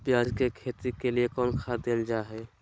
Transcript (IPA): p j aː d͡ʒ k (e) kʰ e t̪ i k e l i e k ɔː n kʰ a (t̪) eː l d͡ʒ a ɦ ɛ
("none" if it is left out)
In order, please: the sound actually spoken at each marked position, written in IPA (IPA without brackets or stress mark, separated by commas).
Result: e, d̪